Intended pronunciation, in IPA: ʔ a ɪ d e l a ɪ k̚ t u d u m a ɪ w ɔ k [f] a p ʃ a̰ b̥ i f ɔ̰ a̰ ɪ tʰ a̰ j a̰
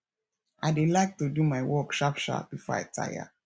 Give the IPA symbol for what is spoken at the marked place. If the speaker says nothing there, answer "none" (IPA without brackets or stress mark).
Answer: ʃ